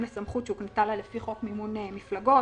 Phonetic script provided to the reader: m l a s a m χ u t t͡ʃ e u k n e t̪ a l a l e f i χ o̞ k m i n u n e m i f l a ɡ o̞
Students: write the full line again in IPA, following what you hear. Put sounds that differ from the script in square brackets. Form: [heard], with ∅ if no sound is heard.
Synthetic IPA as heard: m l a s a m χ u t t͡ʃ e u k n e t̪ a l a l e f i χ o̞ k m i [m] u n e m i f l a ɡ o̞